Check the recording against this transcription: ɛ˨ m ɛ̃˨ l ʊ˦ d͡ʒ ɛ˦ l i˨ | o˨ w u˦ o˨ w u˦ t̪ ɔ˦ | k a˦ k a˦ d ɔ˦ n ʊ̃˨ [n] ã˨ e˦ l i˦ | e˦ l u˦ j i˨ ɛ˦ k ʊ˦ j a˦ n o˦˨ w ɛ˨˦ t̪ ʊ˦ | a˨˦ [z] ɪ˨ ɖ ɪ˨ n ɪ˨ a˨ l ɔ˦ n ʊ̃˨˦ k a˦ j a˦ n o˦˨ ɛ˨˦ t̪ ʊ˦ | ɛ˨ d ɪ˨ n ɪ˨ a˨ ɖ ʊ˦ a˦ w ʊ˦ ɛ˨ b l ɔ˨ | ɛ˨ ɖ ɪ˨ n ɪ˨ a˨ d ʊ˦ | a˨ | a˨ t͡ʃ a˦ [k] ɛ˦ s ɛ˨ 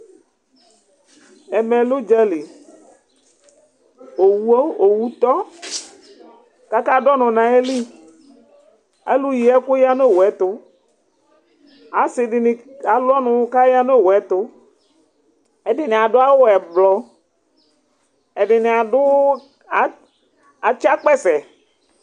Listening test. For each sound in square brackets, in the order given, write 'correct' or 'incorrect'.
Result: correct, incorrect: s, incorrect: k͡p

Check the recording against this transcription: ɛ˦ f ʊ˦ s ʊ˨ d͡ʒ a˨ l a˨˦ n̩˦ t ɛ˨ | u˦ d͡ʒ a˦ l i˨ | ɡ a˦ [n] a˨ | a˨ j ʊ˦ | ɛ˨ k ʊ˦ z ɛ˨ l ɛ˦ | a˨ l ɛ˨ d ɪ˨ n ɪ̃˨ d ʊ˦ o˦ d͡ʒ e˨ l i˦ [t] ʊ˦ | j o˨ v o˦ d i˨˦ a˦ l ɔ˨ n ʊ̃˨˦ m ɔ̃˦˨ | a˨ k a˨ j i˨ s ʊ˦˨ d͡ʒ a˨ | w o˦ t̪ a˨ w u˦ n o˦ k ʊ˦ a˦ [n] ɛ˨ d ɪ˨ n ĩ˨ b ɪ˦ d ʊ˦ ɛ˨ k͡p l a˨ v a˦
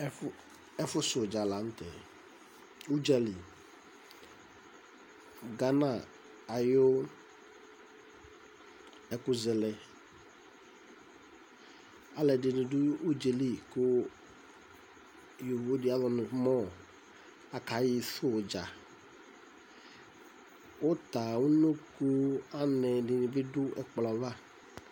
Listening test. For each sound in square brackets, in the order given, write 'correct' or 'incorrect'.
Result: correct, incorrect: k, correct

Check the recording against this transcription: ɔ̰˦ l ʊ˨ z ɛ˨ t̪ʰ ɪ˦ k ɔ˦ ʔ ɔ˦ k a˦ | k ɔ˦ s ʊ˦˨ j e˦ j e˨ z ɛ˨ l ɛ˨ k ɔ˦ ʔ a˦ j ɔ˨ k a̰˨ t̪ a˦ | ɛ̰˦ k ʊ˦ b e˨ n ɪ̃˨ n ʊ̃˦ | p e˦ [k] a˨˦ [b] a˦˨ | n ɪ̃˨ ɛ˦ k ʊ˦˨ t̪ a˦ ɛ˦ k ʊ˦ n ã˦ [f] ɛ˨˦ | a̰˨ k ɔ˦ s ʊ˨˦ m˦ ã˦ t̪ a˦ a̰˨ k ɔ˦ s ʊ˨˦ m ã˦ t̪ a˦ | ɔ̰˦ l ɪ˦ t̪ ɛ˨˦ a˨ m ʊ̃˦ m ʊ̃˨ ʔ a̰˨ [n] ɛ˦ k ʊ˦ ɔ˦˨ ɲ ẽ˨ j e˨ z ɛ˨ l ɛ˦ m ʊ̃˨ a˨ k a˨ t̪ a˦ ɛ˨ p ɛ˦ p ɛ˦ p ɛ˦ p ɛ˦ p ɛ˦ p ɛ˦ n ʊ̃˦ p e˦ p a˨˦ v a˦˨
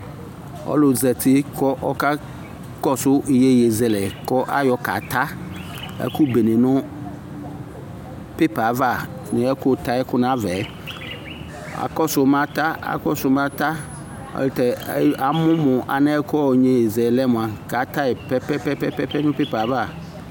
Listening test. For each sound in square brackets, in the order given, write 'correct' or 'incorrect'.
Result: incorrect: p, incorrect: v, incorrect: v, correct

